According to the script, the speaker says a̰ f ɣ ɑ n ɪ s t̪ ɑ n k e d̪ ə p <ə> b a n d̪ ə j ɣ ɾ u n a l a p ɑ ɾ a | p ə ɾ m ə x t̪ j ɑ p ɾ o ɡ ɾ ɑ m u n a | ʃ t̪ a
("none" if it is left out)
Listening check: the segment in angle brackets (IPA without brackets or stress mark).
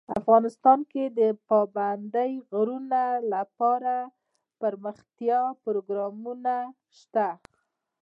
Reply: ɑ